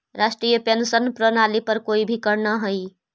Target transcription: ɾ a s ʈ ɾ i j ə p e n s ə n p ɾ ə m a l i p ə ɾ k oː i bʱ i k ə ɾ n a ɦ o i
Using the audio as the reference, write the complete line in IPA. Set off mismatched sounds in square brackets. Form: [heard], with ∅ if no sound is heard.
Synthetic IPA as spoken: ɾ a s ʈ ɾ i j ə p e n s ə n p ɾ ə [n] a l i p ə ɾ k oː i bʱ i k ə ɾ n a ɦ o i